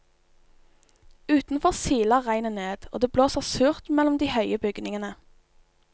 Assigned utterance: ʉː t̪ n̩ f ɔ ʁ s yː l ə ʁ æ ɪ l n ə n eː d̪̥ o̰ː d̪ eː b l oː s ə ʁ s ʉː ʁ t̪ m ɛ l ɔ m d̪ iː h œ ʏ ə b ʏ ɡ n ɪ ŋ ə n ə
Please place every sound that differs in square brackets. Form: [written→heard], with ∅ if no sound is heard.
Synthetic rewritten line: ʉː t̪ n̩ f ɔ ʁ s [yː→iː] l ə ʁ æ ɪ [l→∅] n ə n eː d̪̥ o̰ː d̪ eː b l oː s ə ʁ s ʉː ʁ t̪ m ɛ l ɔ m d̪ iː h œ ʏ ə b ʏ ɡ n ɪ ŋ ə n ə

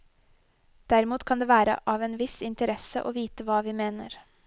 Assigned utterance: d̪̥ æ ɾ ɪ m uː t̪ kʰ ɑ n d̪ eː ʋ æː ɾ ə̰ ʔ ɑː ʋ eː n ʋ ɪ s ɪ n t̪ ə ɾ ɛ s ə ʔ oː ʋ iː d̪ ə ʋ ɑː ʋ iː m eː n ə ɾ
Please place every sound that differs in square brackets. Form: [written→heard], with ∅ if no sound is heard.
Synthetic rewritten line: d̪̥ æ ɾ ɪ m uː t̪ kʰ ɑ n d̪ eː ʋ æː ɾ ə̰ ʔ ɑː ʋ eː n ʋ ɪ s ɪ n t̪ ə ɾ ɛ s ə ʔ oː ʋ iː [d̪→t̪] ə ʋ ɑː ʋ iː m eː n ə ɾ

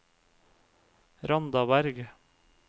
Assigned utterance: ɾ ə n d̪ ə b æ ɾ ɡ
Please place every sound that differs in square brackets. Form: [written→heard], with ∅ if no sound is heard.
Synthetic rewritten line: ɾ [ə→ɑ] n d̪ [ə→ɑ] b æ ɾ ɡ

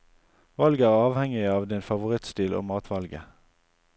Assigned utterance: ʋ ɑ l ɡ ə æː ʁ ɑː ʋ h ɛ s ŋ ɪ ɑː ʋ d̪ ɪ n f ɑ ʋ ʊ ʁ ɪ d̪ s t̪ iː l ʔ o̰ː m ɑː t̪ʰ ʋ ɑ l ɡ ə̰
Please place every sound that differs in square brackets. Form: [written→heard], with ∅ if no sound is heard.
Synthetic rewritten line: ʋ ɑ l ɡ ə æː ʁ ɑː ʋ h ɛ [s→∅] ŋ ɪ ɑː ʋ d̪ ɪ n f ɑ ʋ ʊ ʁ ɪ [d̪→t̪] s t̪ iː l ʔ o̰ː m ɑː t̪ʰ ʋ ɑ l ɡ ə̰

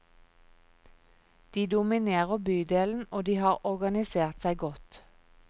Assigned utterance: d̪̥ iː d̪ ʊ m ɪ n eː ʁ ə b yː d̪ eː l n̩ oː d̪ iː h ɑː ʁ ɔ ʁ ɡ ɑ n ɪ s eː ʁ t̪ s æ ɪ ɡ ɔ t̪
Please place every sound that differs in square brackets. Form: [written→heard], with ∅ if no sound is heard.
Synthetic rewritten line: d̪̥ iː d̪ ʊ m ɪ n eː ʁ ə b yː d̪ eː l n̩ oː d̪ iː h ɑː ʁ ɔ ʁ ɡ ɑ n ɪ s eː ʁ t̪ s æ ɪ ɡ ɔ t̪

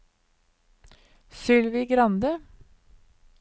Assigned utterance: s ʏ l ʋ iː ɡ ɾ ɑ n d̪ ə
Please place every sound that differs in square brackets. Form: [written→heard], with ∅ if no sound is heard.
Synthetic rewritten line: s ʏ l ʋ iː ɡ ɾ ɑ n d̪ ə

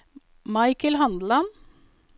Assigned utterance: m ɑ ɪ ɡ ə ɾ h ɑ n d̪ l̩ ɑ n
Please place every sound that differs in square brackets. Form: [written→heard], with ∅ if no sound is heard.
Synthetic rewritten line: m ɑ ɪ [ɡ→k] ə [ɾ→l] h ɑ n d̪ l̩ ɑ n

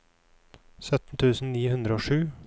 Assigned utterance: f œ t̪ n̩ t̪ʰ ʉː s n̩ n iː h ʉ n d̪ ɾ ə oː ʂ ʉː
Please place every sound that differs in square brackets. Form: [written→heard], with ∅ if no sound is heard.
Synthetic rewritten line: [f→s] œ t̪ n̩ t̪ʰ ʉː s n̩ n iː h ʉ n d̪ ɾ ə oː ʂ ʉː

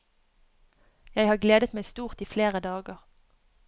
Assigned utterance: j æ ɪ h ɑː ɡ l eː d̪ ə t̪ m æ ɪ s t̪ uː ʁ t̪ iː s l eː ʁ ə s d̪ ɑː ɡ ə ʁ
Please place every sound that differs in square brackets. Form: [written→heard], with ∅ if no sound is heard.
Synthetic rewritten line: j æ ɪ h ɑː ɡ l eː d̪ ə t̪ m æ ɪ s t̪ uː ʁ t̪ iː [s→f] l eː ʁ ə [s→∅] d̪ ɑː ɡ ə ʁ

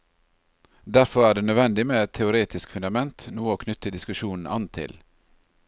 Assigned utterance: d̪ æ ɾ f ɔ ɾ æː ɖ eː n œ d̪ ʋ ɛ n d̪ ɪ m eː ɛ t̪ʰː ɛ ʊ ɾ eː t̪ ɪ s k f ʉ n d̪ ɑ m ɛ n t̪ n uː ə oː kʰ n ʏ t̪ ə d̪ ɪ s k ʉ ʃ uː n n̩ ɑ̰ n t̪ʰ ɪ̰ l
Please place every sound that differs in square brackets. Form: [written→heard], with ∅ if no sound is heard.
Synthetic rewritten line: d̪ æ ɾ f ɔ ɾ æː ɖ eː n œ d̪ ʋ ɛ n d̪ ɪ m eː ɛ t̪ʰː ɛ ʊ ɾ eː t̪ ɪ s k f ʉ n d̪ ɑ m ɛ n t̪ n uː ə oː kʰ n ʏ t̪ ə d̪ ɪ s k ʉ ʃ uː n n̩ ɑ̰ n t̪ʰ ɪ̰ l

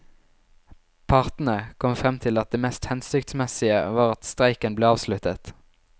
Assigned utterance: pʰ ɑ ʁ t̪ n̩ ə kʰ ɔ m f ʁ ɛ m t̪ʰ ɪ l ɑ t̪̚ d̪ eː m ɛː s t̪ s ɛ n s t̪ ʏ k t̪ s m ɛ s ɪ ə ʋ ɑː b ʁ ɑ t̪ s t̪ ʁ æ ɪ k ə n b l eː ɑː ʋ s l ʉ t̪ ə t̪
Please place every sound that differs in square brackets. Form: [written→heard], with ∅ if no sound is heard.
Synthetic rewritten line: pʰ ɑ ʁ t̪ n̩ ə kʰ ɔ m f ʁ ɛ m t̪ʰ ɪ l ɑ t̪̚ d̪ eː m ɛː s t̪ [s→h] ɛ n s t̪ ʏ k t̪ s m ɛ s ɪ ə ʋ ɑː [b→∅] ʁ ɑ t̪ s t̪ ʁ æ ɪ k ə n b l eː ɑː ʋ s l ʉ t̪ ə t̪

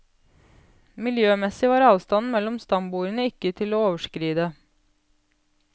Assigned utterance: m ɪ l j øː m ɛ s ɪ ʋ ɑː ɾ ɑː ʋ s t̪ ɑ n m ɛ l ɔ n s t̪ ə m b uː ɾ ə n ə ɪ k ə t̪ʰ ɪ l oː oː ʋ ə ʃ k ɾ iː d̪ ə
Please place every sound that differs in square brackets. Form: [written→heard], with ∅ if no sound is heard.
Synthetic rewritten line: m ɪ l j øː m ɛ s ɪ ʋ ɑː ɾ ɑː ʋ s t̪ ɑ n m ɛ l ɔ [n→m] s t̪ [ə→ɑ] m b uː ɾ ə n ə ɪ k ə t̪ʰ ɪ l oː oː ʋ ə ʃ k ɾ iː d̪ ə

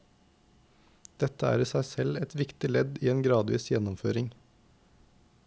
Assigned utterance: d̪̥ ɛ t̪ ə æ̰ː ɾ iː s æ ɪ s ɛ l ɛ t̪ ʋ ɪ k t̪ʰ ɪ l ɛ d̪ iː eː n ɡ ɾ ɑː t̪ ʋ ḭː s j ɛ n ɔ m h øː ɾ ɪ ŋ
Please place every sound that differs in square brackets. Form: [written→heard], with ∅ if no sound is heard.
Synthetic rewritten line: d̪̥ ɛ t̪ ə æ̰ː ɾ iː s æ ɪ s ɛ l ɛ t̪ ʋ ɪ k [t̪ʰ→t̪] ɪ l ɛ d̪ iː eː n ɡ ɾ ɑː [t̪→d̪] ʋ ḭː s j ɛ n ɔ m [h→f] øː ɾ ɪ ŋ

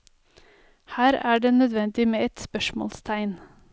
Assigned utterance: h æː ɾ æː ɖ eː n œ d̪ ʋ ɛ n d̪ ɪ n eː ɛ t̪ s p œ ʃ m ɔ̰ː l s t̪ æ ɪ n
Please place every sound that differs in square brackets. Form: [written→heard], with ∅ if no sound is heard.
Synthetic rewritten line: h æː ɾ æː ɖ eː n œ d̪ ʋ ɛ n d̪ ɪ [n→m] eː ɛ t̪ s p œ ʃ m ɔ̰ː l s [t̪→t̪ʰ] æ ɪ n

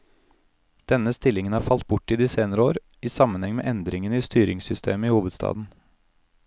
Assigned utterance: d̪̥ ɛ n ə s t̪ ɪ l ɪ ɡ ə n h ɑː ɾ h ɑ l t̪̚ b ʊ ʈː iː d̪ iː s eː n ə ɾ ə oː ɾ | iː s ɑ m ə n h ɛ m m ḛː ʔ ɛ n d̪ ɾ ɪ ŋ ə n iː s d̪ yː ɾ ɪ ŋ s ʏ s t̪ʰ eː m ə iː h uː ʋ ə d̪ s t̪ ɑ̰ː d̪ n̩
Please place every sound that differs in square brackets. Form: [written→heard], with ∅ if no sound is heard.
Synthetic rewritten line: d̪̥ ɛ n ə s t̪ ɪ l ɪ [ɡ→ŋ] ə n h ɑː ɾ [h→f] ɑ l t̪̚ b ʊ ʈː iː d̪ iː s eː n ə ɾ ə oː ɾ | iː s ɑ m ə n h ɛ [m→ŋ] m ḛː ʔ ɛ n d̪ ɾ ɪ ŋ ə n iː s [d̪→t̪] yː ɾ ɪ ŋ s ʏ s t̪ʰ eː m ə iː h uː ʋ ə d̪ s t̪ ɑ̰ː d̪ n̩

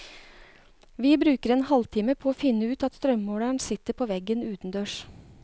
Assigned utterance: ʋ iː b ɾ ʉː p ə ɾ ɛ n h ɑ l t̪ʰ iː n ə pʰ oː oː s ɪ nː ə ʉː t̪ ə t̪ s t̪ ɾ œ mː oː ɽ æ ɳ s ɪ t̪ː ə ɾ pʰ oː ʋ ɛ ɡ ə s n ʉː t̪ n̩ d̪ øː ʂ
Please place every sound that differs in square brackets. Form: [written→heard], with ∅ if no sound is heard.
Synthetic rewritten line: ʋ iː b ɾ ʉː [p→k] ə ɾ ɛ n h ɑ l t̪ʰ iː [n→m] ə pʰ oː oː [s→f] ɪ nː ə ʉː t̪ [ə→ɑ] t̪ s t̪ ɾ œ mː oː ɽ æ ɳ s ɪ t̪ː ə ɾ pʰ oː ʋ ɛ ɡ ə [s→∅] n ʉː t̪ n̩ d̪ øː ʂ

